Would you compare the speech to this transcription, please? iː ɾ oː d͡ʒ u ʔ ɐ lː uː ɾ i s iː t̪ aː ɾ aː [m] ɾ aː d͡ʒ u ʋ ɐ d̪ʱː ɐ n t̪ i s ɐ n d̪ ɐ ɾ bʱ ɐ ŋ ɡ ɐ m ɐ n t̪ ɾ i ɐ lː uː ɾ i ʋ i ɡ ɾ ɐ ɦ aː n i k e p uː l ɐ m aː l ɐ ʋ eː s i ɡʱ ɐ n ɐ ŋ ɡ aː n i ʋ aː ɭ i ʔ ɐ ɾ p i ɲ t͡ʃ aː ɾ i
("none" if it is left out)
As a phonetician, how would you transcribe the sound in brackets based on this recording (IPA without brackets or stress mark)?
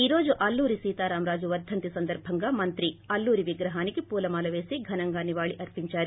m